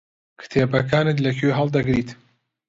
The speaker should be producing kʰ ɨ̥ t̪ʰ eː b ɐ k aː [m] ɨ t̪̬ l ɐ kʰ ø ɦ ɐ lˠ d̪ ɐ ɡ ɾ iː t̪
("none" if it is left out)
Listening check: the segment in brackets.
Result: n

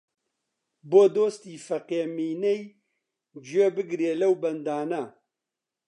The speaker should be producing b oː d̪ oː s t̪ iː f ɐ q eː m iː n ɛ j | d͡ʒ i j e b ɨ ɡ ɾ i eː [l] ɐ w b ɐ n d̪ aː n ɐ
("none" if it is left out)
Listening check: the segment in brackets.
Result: l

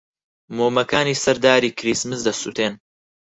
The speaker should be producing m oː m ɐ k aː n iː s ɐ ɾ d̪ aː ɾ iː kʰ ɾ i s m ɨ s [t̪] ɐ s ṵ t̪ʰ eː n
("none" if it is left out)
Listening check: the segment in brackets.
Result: d̪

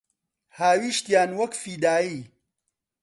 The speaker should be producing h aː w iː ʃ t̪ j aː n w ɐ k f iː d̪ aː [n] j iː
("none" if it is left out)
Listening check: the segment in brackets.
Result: none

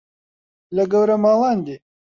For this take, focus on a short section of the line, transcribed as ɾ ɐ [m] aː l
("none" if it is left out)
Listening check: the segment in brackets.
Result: m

